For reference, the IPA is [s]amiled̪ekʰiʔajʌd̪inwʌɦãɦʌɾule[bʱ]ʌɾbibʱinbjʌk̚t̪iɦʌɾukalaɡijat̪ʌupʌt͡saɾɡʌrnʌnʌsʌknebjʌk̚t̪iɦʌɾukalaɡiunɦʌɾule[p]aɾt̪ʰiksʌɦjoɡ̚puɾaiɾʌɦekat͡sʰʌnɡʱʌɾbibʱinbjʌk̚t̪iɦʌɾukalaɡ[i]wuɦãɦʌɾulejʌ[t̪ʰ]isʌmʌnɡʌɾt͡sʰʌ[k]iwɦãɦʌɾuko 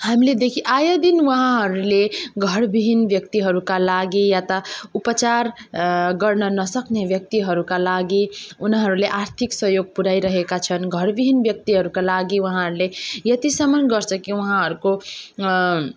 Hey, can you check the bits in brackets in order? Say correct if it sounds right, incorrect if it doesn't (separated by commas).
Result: incorrect, incorrect, incorrect, correct, incorrect, correct